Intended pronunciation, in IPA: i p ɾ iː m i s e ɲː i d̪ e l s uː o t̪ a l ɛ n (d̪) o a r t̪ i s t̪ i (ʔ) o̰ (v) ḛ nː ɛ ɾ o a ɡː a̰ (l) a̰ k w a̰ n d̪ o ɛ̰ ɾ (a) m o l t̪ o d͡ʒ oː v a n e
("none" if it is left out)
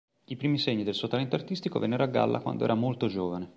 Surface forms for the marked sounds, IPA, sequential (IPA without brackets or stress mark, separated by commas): t̪, k, v, lː, a